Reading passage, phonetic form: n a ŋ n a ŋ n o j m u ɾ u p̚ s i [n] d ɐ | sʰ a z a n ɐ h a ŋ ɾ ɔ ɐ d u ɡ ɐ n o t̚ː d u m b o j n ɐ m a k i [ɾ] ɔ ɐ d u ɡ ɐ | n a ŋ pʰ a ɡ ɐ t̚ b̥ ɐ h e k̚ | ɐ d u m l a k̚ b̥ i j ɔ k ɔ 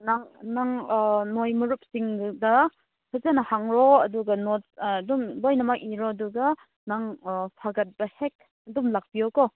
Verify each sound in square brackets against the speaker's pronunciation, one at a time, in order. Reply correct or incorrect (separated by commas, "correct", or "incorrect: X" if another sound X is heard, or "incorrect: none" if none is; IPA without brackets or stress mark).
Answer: incorrect: ŋ, correct